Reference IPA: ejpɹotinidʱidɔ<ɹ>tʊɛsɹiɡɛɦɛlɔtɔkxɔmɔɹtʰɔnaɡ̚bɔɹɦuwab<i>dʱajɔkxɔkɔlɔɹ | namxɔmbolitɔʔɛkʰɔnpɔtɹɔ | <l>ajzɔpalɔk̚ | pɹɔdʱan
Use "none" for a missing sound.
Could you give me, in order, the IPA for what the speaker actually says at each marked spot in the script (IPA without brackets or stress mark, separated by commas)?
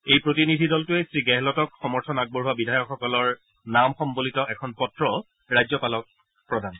l, i, ɹ